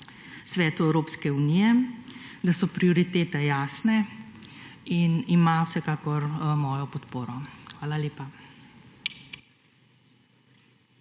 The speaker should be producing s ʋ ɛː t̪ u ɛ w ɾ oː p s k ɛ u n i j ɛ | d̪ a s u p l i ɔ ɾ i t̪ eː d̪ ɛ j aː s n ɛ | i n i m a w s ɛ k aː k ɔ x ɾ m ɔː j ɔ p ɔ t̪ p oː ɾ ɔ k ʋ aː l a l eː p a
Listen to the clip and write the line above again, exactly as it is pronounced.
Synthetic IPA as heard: s ʋ ɛː t̪ u ɛ w ɾ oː p s k ɛ u n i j ɛ | d̪ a s ɔ p ɾ i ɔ ɾ i t̪ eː t̪ ɛ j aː s n ɛ | i n i m a w s ɛ k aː k ɔ ɾ m ɔː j ɔ p ɔ t̪ p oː ɾ ɔ x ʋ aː l a l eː p a